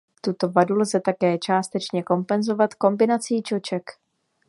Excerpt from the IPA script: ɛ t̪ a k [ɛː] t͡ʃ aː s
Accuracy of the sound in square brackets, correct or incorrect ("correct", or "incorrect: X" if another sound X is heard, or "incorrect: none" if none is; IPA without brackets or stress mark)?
correct